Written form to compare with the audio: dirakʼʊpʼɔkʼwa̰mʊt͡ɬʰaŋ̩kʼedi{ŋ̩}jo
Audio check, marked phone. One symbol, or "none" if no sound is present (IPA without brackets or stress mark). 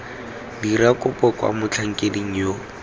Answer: ŋ̩